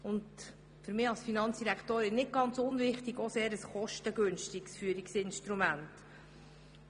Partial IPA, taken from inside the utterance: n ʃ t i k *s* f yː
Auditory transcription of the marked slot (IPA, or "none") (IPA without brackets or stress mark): s